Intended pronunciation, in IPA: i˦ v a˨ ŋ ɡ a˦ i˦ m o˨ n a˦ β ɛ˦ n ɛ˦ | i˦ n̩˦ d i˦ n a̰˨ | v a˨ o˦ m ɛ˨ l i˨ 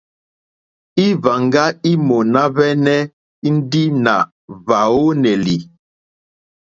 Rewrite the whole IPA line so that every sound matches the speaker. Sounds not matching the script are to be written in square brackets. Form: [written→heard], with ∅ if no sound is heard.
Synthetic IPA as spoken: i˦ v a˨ ŋ ɡ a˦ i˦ m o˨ n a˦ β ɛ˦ n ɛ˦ | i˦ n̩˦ d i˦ n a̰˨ | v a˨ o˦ [m→n] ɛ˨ l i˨